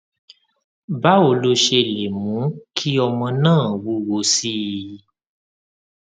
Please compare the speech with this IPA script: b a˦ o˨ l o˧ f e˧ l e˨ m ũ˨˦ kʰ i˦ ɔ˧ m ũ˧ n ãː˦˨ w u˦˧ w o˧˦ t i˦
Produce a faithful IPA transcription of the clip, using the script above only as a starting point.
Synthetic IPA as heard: b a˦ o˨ l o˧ ʃ e˧ l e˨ m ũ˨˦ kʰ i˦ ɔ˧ m ɔ̃˧ n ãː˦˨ w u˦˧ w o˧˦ s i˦